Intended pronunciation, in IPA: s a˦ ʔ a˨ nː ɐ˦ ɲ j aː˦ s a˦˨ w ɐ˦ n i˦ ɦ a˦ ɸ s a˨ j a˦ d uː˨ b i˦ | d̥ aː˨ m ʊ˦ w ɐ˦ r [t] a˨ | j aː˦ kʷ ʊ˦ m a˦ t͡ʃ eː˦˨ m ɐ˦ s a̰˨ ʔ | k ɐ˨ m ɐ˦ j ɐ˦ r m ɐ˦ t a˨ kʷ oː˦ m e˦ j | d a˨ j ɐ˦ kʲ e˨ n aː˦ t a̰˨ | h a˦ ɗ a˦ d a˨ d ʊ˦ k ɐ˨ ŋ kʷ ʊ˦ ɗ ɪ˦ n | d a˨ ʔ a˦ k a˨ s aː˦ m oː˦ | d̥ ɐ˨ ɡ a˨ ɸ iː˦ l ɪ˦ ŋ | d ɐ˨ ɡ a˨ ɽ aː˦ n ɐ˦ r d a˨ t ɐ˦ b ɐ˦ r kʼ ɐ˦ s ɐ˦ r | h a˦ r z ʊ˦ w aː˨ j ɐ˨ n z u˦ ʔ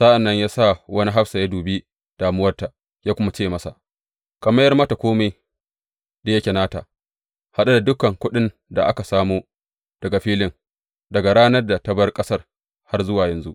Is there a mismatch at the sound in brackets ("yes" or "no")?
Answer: no